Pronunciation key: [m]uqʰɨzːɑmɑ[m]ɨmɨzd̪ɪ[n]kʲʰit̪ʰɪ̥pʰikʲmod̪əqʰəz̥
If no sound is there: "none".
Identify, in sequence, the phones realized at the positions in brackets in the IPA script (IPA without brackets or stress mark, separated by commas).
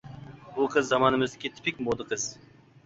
b, n, none